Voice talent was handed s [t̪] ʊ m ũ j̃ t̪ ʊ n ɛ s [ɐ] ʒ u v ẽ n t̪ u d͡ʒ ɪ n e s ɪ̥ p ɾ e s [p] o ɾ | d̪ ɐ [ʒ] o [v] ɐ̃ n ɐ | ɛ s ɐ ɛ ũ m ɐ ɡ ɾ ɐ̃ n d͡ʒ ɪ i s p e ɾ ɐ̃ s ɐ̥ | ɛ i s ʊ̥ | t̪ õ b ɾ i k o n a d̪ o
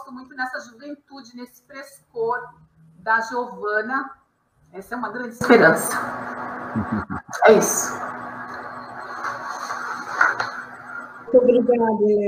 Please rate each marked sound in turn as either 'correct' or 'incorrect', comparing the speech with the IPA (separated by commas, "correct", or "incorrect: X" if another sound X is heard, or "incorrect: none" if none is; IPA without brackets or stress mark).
correct, correct, incorrect: k, correct, correct